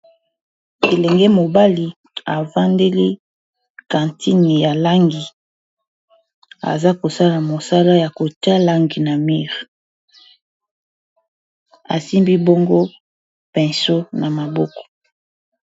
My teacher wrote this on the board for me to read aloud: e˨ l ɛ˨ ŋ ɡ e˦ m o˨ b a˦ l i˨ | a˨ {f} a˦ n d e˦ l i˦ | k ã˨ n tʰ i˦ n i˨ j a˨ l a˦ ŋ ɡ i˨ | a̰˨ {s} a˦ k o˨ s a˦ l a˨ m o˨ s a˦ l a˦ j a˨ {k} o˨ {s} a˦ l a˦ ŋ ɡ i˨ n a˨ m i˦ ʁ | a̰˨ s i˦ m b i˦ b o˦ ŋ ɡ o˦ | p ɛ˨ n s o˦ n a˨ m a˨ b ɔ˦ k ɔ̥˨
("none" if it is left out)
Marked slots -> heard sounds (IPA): v, z, k, t

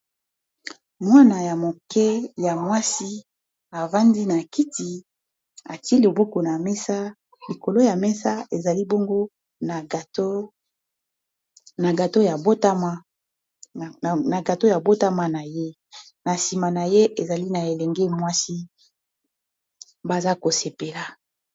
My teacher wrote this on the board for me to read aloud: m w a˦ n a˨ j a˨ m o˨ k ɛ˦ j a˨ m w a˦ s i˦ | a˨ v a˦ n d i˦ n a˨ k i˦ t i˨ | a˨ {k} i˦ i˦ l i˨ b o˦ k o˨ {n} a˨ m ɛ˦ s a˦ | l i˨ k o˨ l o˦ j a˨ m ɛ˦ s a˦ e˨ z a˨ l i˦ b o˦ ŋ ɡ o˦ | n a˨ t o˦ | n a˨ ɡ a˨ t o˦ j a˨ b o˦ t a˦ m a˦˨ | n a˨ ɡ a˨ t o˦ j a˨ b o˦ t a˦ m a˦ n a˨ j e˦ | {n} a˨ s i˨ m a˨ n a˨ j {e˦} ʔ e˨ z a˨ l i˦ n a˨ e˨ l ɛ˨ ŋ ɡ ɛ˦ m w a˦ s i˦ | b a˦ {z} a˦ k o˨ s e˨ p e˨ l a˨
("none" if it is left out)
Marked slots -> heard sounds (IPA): t, n, n, e˦, z

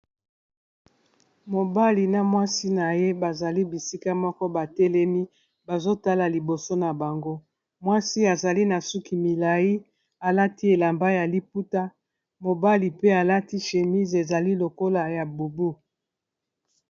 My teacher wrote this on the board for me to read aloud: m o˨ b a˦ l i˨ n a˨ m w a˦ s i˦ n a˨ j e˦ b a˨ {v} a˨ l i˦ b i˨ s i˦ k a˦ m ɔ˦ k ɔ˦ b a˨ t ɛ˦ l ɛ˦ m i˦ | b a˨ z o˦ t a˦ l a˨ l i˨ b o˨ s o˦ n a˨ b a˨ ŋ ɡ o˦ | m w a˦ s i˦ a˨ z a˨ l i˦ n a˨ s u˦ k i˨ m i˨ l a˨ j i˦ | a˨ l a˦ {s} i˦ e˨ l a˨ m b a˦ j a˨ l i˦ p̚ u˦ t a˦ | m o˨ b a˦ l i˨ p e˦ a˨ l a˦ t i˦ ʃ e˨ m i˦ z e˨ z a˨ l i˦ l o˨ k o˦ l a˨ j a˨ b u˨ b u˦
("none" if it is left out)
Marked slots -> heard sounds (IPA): z, t

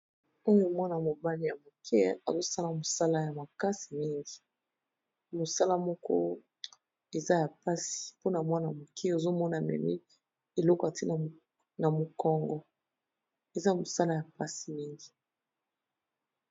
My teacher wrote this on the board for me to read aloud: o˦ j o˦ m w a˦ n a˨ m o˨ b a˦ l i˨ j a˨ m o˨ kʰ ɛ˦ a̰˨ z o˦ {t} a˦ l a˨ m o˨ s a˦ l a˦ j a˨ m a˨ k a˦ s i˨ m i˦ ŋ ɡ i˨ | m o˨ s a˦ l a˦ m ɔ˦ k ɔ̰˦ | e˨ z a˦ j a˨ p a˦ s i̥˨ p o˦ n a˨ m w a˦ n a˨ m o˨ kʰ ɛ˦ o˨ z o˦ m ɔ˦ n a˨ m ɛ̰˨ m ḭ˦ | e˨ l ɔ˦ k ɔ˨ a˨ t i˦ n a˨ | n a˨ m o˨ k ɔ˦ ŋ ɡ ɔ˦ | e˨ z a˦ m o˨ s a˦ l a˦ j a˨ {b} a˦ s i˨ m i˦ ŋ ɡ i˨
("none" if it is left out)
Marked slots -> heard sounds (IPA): s, p

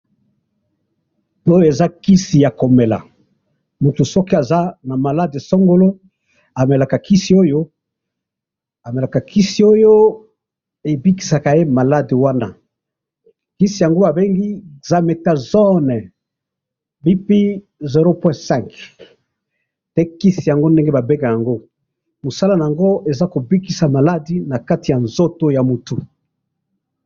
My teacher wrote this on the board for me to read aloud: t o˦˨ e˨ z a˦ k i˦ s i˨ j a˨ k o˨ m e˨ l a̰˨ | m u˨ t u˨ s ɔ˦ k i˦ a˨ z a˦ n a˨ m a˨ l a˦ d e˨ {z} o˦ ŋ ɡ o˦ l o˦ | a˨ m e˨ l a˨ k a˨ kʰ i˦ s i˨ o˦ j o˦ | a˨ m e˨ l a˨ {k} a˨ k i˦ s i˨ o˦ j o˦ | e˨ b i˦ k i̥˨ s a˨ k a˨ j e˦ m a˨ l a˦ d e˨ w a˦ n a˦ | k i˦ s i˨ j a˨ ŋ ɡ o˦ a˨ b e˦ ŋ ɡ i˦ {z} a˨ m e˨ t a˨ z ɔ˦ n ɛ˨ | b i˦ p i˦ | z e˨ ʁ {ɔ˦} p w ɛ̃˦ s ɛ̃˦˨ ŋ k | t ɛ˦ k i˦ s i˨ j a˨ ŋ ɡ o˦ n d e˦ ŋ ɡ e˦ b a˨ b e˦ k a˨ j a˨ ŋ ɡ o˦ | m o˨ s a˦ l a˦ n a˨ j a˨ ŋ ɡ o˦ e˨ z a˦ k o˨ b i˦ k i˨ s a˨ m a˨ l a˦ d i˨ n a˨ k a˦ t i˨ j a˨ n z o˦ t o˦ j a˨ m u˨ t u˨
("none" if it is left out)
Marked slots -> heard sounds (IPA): s, k, z, o˦

